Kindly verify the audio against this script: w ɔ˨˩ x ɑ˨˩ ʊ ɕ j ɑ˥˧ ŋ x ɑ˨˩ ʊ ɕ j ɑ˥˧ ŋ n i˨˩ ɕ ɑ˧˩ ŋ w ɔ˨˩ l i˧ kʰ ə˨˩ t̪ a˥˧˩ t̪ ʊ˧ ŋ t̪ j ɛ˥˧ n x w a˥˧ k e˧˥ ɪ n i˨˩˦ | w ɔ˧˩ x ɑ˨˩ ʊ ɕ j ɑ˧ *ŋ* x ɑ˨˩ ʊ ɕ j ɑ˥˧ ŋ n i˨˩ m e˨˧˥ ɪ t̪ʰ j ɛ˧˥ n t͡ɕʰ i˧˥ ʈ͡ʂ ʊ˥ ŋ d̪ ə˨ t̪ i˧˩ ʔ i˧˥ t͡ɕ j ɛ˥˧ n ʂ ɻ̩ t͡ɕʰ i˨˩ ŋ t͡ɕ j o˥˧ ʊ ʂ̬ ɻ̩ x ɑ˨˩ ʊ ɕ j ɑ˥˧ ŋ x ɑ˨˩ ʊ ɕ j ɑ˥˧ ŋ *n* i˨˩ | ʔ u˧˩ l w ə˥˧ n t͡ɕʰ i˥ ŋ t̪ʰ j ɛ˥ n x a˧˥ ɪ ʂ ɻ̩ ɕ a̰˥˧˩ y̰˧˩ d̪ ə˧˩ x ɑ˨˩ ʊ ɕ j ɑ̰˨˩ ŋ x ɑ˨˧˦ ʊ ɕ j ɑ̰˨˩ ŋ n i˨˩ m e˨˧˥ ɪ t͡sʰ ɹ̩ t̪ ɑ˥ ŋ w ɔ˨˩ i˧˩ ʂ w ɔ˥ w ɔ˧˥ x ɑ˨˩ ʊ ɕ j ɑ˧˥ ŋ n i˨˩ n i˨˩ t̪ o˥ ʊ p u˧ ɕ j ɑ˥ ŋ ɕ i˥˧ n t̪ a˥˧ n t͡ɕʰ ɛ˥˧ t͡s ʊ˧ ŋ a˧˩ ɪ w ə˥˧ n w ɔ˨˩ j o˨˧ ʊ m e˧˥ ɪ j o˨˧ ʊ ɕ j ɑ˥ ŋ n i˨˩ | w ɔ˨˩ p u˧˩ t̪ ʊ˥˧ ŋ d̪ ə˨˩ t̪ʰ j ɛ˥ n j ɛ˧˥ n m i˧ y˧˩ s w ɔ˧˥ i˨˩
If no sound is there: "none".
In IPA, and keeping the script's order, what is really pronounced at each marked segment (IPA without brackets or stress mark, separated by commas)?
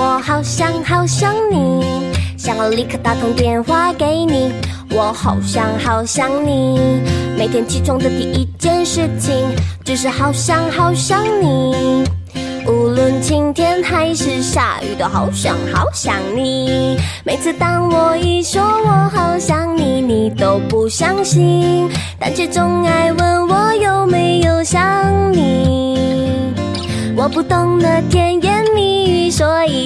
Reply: ŋ, n